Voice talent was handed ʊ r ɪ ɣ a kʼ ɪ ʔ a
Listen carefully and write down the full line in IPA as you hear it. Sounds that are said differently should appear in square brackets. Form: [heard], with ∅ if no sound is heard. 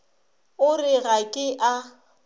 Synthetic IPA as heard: ʊ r ɪ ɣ a kʼ ɪ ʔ a